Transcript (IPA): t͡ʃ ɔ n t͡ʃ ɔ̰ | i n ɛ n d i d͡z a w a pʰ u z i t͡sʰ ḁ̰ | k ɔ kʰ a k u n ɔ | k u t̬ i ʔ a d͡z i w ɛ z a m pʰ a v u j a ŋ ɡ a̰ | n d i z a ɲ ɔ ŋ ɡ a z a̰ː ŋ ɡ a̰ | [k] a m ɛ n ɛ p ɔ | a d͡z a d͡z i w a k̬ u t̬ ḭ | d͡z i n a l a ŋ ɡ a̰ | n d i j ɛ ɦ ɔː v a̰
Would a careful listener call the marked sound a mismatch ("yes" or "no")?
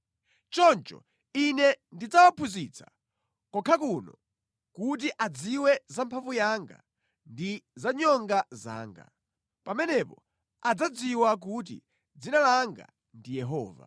yes